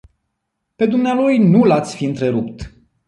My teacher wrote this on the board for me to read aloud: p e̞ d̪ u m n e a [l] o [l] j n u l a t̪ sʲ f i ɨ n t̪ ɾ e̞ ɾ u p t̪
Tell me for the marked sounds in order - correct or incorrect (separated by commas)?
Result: correct, incorrect